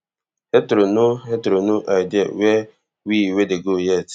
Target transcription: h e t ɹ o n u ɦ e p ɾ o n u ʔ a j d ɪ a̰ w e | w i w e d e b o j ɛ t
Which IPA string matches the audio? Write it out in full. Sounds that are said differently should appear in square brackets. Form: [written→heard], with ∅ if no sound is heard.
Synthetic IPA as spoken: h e t [ɹ→ɾ] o n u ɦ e [p→t] ɾ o n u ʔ a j d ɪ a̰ w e | w i w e d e [b→ɡ] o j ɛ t